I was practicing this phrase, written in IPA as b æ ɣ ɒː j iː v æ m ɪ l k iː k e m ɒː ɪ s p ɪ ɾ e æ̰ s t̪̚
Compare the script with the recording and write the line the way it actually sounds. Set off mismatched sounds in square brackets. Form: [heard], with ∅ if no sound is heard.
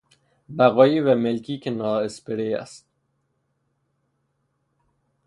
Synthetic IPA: b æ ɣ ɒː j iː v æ m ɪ l k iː k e [n] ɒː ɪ s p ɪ ɾ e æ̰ s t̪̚